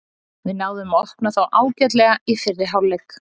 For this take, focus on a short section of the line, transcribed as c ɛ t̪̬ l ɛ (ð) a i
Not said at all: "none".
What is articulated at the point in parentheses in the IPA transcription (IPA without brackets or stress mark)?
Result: ɣ